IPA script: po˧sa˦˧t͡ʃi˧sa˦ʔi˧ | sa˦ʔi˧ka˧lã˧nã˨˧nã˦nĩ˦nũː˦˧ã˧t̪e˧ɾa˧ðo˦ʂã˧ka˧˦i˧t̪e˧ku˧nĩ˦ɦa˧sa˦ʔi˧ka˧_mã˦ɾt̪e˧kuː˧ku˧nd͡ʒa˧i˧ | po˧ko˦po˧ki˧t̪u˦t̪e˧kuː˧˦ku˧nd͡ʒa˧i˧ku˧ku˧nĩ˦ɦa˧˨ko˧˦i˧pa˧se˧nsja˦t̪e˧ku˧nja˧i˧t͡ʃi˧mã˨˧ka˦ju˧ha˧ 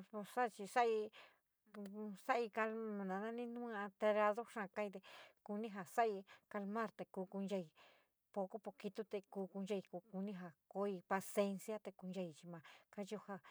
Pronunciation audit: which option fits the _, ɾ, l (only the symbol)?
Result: l